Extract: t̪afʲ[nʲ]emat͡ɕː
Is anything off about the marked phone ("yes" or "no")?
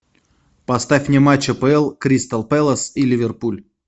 no